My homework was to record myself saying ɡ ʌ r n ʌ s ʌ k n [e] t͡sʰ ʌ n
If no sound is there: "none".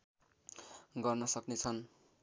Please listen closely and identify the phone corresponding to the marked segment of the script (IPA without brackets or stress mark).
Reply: e